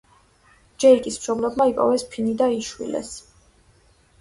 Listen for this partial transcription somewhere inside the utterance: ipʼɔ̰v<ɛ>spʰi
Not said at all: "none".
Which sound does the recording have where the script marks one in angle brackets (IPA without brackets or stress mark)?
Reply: ɛ